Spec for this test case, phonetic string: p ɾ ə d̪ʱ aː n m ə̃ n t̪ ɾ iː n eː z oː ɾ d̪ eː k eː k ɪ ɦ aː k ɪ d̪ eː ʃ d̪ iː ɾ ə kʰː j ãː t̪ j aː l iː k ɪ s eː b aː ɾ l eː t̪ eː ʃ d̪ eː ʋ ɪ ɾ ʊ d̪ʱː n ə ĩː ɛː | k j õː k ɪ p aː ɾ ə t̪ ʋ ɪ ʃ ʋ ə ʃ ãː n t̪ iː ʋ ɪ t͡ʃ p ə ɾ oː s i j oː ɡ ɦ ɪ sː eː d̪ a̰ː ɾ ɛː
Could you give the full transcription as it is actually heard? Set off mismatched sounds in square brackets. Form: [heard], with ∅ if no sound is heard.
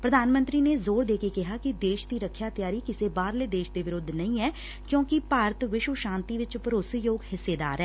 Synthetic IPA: p ɾ ə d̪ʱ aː n m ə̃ n t̪ ɾ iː n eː z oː ɾ d̪ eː k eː k ɪ ɦ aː k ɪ d̪ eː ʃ d̪ iː ɾ ə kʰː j [aː] t̪ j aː [ɾ] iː k ɪ s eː b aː ɾ l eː [d̪] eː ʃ d̪ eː ʋ ɪ ɾ ʊ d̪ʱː n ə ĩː ɛː | k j õː k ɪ p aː ɾ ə t̪ ʋ ɪ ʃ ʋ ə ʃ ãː n t̪ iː ʋ ɪ t͡ʃ p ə ɾ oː s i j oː ɡ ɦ ɪ sː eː d̪ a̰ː ɾ ɛː

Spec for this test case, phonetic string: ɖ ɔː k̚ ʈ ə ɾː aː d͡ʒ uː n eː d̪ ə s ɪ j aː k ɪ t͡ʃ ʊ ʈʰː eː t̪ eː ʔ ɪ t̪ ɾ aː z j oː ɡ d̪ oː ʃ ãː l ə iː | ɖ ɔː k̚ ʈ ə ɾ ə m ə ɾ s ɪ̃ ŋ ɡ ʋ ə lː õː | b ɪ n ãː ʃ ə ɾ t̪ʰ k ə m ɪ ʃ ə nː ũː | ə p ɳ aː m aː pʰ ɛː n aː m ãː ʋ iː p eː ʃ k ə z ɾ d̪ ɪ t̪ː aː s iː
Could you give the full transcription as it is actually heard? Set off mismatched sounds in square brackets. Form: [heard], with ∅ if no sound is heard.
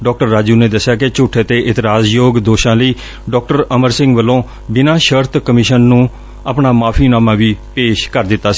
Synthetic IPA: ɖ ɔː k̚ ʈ ə ɾː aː d͡ʒ uː n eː d̪ ə s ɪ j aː k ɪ t͡ʃ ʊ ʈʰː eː t̪ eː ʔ ɪ t̪ ɾ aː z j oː ɡ d̪ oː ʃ ãː l ə iː | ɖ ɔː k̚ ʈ ə ɾ ə m ə ɾ s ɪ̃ ŋ ɡ ʋ ə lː õː | b ɪ n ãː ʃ ə ɾ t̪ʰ k ə m ɪ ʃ ə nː ũː | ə p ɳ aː m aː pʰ [iː] n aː m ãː ʋ iː p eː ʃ k ə [∅] ɾ d̪ ɪ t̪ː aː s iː

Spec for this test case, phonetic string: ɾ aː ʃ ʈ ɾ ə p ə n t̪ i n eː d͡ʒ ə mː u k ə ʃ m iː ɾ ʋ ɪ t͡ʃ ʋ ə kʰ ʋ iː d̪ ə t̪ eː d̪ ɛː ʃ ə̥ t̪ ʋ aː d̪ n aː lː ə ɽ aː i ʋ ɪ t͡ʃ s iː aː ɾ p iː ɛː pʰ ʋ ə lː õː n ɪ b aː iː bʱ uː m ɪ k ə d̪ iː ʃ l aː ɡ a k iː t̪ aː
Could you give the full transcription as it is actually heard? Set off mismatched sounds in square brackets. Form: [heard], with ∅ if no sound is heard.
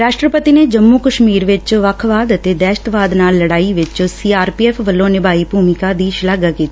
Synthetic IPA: ɾ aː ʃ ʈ ɾ ə p ə [∅] t̪ i n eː d͡ʒ ə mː u k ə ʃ m iː ɾ ʋ ɪ t͡ʃ ʋ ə kʰ ʋ [aː] d̪ ə t̪ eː d̪ ɛː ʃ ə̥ t̪ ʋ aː d̪ n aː lː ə ɽ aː i ʋ ɪ t͡ʃ s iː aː ɾ p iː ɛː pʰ ʋ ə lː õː n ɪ b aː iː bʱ uː m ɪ k [a] d̪ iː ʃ l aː ɡ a k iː t̪ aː

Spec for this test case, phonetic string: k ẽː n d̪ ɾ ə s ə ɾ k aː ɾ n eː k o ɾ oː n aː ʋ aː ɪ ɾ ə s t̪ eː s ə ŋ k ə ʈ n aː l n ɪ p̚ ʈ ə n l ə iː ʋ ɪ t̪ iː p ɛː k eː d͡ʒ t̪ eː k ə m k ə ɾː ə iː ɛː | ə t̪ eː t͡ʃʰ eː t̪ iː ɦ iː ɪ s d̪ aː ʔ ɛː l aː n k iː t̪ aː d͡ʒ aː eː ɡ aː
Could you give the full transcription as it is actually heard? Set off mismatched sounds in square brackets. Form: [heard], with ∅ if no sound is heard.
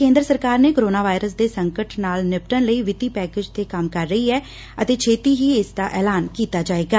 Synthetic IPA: k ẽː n d̪ ɾ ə s ə ɾ k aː ɾ n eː k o ɾ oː n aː ʋ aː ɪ ɾ ə s [d̪] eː s ə ŋ k ə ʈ n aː l n ɪ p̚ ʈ ə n l ə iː ʋ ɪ t̪ iː p ɛː k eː d͡ʒ t̪ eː k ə m k ə ɾː ə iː ɛː | ə t̪ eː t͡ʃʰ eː t̪ iː ɦ iː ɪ s d̪ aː ʔ ɛː l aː n k iː t̪ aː d͡ʒ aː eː ɡ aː

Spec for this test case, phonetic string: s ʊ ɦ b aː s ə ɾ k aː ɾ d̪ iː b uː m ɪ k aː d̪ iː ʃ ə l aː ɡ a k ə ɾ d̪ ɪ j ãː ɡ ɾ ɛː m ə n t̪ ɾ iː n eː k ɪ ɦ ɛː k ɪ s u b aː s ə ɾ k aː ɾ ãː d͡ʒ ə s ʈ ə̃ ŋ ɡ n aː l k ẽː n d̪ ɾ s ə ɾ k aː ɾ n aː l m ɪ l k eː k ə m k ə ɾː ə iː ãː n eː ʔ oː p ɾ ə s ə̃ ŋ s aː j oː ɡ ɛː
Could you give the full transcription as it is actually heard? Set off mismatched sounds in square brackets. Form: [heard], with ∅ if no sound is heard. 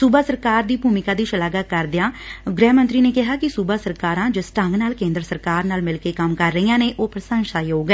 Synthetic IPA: s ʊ [∅] b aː s ə ɾ k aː ɾ d̪ iː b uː m ɪ k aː d̪ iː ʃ ə l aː ɡ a k ə ɾ d̪ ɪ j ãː ɡ ɾ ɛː m ə n t̪ ɾ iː n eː k ɪ ɦ [aː] k ɪ s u b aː s ə ɾ k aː ɾ ãː d͡ʒ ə s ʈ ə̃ ŋ ɡ n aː l k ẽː n d̪ ɾ s ə ɾ k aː ɾ n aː l m ɪ l k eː k ə m k ə ɾː ə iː ãː n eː ʔ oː p ɾ ə s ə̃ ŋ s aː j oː ɡ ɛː

